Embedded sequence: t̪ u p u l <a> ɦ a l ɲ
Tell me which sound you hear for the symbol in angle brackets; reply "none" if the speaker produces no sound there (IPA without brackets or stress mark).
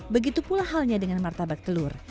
a